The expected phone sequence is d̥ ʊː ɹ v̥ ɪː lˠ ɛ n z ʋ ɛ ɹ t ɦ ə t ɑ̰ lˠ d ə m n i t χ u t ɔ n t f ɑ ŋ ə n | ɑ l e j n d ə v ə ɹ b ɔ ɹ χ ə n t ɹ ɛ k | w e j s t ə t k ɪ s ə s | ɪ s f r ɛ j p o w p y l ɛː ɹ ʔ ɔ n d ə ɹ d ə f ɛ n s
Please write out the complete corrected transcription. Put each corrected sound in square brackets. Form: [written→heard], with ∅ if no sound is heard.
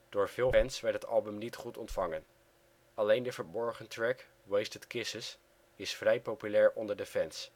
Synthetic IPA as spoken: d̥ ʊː ɹ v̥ ɪː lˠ ɛ n [z→s] ʋ ɛ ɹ t ɦ ə t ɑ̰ lˠ [d→b] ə m n i t χ u t ɔ n t f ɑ ŋ ə n | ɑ l e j n d ə v ə ɹ b ɔ ɹ χ ə n t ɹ ɛ k | w e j s t ə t k ɪ s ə s | ɪ s f r ɛ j p o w p y l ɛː ɹ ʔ ɔ n d ə ɹ d ə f ɛ n s